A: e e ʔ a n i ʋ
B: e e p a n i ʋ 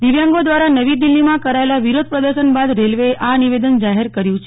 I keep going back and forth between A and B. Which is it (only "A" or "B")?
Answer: A